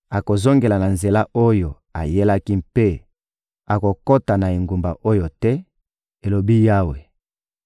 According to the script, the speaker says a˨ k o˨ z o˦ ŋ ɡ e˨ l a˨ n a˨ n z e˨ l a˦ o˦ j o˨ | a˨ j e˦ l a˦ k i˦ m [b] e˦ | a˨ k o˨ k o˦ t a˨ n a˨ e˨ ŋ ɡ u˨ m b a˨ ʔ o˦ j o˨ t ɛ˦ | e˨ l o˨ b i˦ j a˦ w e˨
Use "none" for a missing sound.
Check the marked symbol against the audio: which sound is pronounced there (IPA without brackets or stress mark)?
p